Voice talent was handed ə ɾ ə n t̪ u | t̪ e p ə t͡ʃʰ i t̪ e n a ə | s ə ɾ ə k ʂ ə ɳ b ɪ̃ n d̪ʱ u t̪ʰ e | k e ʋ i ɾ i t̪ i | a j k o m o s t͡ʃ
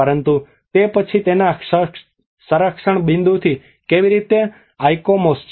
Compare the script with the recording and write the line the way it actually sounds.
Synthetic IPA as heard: ə ɾ ə n t̪ u | t̪ e p ə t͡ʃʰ i t̪ e n a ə | s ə ɾ ə k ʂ ə ɳ b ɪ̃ n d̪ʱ u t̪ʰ i | k e ʋ i ɾ i t̪ e | a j k o m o s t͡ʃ